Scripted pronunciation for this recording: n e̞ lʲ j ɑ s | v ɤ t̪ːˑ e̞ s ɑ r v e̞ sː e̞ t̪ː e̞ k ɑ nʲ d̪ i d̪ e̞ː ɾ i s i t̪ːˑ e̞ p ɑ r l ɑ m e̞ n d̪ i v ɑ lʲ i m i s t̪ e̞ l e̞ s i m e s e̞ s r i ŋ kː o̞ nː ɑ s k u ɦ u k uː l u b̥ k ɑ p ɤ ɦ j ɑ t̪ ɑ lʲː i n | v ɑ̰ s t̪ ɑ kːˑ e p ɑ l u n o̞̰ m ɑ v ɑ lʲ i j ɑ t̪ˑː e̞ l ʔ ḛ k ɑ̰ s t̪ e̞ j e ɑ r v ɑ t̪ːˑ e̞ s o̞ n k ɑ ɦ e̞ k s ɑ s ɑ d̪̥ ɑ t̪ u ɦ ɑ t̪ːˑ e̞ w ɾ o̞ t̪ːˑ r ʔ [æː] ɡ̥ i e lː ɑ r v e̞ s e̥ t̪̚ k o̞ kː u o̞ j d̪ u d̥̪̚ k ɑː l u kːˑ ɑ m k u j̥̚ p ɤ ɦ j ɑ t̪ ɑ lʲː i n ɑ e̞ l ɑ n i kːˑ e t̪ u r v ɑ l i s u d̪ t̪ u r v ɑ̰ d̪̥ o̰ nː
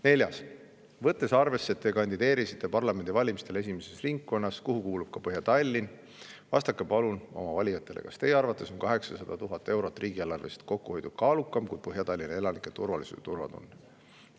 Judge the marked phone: incorrect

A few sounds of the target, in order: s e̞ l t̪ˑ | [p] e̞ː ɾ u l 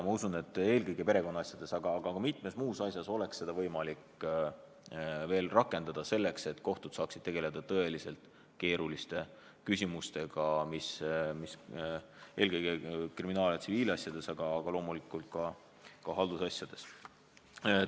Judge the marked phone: incorrect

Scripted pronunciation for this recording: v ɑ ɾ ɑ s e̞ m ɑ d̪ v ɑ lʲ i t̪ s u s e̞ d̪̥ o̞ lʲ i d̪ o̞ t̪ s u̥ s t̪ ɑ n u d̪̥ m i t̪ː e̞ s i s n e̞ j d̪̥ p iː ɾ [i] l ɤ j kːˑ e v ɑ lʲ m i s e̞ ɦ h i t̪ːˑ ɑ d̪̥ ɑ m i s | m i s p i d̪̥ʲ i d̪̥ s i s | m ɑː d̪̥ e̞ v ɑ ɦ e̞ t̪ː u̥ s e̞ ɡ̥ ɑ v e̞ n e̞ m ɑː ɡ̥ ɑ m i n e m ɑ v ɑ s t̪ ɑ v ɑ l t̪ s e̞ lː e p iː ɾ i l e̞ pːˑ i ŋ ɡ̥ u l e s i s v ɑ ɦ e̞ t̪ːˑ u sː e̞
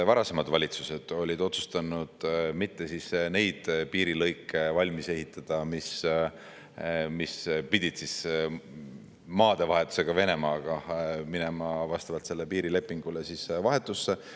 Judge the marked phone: correct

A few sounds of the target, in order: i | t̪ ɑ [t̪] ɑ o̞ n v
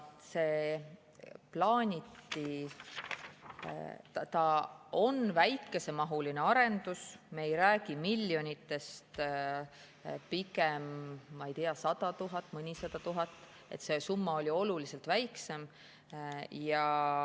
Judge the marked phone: correct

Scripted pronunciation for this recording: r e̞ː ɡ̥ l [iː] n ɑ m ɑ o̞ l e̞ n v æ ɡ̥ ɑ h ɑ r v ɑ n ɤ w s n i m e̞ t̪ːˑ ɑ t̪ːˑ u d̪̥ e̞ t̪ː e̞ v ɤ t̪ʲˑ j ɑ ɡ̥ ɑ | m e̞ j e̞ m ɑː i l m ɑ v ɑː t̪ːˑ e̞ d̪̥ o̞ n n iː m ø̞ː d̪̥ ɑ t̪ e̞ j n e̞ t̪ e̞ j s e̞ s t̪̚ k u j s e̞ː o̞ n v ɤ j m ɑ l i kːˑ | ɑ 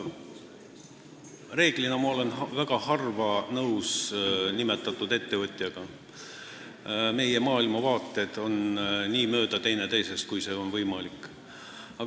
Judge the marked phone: incorrect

